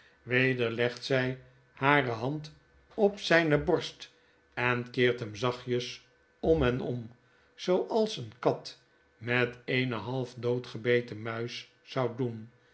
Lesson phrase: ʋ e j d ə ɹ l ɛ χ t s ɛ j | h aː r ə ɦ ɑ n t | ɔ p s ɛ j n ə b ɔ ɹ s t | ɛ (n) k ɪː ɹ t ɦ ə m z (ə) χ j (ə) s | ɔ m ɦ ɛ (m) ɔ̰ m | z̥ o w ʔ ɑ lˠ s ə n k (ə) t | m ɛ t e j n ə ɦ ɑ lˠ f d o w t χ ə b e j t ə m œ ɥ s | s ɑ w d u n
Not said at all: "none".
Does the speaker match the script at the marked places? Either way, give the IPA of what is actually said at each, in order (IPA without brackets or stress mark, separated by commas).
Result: n, ɑ, ə, n, ɑ